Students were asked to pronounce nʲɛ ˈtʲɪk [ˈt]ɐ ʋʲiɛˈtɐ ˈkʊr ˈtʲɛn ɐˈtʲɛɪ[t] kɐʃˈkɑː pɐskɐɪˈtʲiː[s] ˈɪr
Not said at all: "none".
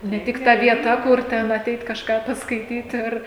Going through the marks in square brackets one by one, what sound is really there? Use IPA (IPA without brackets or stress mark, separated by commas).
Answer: t, t, t